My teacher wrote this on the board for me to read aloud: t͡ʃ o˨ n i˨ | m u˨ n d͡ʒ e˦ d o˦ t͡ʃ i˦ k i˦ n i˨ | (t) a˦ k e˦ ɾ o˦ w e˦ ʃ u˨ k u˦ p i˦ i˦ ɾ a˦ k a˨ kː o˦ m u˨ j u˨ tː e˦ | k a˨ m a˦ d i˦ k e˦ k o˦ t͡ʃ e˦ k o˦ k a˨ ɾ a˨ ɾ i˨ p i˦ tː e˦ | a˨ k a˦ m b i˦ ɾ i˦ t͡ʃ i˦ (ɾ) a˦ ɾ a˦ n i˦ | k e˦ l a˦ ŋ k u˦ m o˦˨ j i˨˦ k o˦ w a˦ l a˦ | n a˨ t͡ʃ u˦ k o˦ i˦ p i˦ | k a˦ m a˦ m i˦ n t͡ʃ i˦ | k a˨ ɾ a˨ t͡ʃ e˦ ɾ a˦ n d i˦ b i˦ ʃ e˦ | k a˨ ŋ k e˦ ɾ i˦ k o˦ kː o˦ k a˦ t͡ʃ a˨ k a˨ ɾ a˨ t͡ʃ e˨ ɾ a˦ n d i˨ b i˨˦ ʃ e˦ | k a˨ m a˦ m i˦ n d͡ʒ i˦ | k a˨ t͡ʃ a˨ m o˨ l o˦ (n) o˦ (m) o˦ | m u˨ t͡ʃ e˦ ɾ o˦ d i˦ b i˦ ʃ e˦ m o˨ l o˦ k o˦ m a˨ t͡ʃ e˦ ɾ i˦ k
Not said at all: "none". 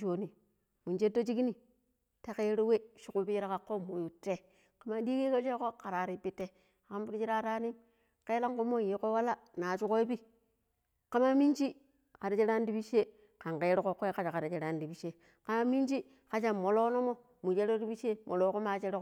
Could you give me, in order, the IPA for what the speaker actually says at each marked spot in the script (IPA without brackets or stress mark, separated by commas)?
t, ɾ, n, m